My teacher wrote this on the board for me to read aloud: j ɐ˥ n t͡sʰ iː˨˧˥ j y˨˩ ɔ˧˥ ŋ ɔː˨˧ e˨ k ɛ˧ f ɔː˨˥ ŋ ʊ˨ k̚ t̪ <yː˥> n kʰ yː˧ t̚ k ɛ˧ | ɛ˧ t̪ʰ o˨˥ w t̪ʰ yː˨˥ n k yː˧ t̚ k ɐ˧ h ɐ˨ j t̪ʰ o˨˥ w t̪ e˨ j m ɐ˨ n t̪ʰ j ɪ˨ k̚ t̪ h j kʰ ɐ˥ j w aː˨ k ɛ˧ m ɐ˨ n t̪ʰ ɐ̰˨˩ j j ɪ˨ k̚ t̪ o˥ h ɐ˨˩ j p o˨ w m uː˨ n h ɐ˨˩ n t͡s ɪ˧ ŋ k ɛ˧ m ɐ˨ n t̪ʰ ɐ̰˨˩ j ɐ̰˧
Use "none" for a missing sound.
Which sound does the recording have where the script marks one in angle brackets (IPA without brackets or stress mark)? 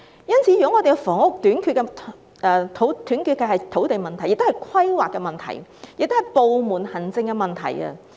yː˨˥